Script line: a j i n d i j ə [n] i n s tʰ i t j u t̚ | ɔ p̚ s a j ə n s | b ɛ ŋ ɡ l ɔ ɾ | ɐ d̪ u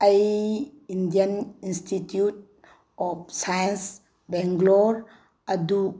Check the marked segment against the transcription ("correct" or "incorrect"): correct